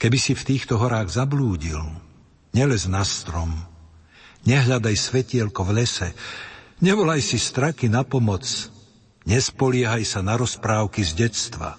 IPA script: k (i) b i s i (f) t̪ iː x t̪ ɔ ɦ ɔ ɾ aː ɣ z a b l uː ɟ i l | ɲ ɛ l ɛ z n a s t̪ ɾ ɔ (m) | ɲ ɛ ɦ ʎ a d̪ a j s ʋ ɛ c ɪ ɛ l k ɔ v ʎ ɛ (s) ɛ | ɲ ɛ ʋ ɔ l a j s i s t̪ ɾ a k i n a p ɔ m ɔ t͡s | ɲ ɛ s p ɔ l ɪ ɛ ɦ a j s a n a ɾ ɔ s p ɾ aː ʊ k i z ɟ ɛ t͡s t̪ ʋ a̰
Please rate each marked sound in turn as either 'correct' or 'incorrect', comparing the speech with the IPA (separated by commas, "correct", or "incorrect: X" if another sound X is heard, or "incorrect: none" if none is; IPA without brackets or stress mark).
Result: incorrect: ɛ, correct, correct, correct